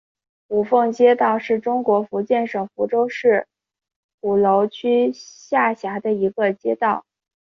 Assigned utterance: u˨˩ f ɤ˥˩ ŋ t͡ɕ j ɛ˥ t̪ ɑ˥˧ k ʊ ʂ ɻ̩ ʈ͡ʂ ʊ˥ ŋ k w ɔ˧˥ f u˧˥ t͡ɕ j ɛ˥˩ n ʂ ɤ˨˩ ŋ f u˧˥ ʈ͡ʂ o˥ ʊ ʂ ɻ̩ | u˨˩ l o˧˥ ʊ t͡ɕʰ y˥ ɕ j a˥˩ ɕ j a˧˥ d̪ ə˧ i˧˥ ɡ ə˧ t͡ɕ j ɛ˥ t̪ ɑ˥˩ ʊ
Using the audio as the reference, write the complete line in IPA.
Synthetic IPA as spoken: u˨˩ f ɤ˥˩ ŋ t͡ɕ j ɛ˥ t̪ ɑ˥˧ ʊ ʂ ɻ̩ ʈ͡ʂ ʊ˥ ŋ k w ɔ˧˥ f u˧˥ t͡ɕ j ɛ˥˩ n ʂ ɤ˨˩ ŋ f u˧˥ ʈ͡ʂ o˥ ʊ ʂ ɻ̩ | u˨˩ l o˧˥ ʊ t͡ɕʰ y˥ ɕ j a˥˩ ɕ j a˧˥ d̪ ə˧ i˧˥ ɡ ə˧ t͡ɕ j ɛ˥ t̪ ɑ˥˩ ʊ